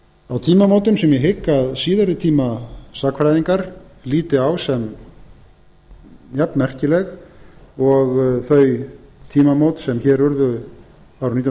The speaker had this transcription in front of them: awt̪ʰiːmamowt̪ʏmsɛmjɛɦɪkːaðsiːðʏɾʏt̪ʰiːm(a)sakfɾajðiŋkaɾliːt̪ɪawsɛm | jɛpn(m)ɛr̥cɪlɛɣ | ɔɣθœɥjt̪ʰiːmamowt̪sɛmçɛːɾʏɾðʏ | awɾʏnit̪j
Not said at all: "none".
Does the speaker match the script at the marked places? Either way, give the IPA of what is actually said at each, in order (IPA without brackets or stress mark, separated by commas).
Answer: a, m